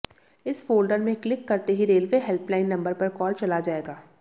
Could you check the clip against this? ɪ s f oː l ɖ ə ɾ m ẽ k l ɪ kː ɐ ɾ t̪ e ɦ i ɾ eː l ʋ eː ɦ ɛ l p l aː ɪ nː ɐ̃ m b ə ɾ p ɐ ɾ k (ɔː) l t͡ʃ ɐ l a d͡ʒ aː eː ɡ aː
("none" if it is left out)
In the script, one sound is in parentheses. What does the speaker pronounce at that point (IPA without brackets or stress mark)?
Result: ɔː